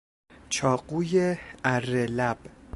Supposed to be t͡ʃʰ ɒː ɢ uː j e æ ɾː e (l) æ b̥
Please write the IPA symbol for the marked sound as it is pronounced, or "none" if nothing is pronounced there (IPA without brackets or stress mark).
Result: l